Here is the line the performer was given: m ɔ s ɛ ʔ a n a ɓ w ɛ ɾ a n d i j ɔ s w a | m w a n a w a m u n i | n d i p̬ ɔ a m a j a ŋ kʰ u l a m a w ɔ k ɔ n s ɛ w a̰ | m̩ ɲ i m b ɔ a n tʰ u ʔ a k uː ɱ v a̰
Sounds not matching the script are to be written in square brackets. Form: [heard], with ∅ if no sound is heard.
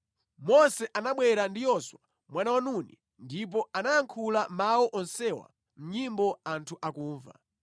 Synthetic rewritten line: m ɔ s ɛ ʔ a n a ɓ w ɛ ɾ a n d i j ɔ s w a | m w a n a w a [n] u n i | n d i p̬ ɔ a [n] a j a ŋ kʰ u l a m a w ɔ [ʔ] ɔ n s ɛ w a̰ | m̩ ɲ i m b ɔ a n tʰ u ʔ a k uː ɱ v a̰